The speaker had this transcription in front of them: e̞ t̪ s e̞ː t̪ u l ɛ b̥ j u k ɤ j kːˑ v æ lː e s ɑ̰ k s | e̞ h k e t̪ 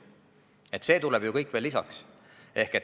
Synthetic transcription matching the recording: e̞ t̪ s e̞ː t̪ u l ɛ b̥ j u k ɤ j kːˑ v e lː i s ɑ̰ k s | e̞ h k e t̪